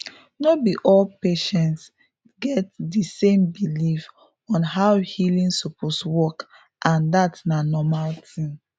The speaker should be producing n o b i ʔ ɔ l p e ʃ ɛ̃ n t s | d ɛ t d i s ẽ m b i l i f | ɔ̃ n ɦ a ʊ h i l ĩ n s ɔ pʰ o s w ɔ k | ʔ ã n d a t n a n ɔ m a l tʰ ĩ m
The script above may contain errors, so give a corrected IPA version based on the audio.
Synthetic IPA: n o b i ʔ ɔ l p e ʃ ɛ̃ n t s | ɡ ɛ t d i s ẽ m b i l i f | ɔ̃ n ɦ a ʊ h i l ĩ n s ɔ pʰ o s w ɔ k | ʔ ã n d a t n a n ɔ m a l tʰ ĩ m